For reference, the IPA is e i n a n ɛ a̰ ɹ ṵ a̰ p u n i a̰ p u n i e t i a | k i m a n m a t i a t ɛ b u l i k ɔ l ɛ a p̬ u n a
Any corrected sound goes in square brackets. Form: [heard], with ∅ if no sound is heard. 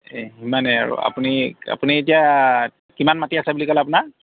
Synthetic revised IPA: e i [m] a n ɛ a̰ ɹ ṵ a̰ p u n i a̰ p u n i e t i a | k i m a n m a t i a [s] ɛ b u l i k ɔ l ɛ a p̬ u n a